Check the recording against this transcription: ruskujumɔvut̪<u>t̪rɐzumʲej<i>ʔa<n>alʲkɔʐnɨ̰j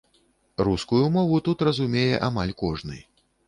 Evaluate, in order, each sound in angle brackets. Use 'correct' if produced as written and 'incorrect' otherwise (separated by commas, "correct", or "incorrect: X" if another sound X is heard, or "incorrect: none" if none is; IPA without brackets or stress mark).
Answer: correct, incorrect: ɛ, incorrect: m